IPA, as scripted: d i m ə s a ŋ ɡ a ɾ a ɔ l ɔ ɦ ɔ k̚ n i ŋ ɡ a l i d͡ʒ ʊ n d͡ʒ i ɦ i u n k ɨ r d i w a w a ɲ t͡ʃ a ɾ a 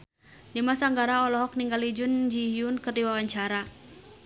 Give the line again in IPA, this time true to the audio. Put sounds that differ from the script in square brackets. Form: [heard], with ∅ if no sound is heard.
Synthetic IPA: d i m [a] s a ŋ ɡ a ɾ a ɔ l ɔ ɦ ɔ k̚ n i ŋ ɡ a l i d͡ʒ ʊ n d͡ʒ i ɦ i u n k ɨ r d i w a w a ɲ t͡ʃ a ɾ a